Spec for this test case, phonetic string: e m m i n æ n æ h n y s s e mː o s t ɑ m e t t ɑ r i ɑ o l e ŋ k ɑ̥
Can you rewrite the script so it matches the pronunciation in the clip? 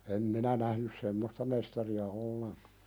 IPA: e m m i n æ n æ h n y s s e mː o s t ɑ m e s t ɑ r i ɑ o lː e ŋ k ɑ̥